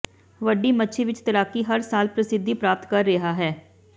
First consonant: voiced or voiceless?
voiced